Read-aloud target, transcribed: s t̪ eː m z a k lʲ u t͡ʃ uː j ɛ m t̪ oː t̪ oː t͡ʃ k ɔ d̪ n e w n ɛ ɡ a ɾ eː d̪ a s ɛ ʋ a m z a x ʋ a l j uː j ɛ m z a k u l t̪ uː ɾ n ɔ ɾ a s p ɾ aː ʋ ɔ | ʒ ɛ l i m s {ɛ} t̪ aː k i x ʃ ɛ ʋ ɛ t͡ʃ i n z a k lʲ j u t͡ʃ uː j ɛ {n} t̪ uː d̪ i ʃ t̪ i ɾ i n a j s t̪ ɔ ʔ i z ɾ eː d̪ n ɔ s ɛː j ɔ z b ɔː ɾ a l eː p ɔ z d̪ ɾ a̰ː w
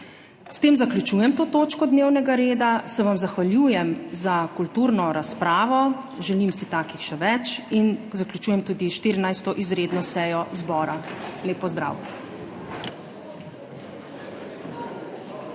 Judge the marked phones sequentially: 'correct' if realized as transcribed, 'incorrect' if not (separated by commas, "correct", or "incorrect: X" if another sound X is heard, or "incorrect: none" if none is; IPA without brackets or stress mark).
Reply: incorrect: i, incorrect: m